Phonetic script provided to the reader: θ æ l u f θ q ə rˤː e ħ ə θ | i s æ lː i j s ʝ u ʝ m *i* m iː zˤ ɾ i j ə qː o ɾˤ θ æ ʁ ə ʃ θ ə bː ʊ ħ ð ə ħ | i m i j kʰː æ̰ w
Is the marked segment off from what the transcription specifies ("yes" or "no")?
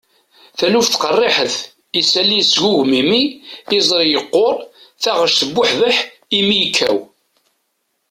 no